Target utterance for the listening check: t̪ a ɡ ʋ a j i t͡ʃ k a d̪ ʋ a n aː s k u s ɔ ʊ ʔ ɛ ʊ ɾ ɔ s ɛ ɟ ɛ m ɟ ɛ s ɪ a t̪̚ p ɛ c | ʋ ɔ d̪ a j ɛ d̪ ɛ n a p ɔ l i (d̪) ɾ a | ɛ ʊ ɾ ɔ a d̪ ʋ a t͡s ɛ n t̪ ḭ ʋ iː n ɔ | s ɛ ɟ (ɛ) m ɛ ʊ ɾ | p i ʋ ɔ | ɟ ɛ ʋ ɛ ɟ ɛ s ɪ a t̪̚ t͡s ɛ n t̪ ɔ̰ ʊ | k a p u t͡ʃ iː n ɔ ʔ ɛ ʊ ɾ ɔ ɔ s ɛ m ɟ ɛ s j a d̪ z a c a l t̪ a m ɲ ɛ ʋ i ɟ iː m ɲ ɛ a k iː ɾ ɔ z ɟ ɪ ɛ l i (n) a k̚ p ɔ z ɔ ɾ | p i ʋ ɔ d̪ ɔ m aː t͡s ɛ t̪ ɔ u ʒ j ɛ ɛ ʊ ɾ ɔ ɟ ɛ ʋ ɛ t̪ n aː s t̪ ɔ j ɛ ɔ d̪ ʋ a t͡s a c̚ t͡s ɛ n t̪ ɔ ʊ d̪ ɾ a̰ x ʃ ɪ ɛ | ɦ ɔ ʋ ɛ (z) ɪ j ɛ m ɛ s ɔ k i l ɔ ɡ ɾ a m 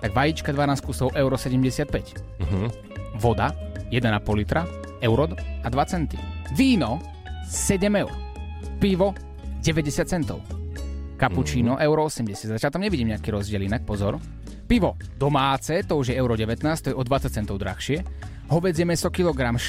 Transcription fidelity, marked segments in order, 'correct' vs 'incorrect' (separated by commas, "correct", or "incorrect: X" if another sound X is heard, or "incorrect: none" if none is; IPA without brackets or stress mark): incorrect: t̪, correct, correct, incorrect: d͡z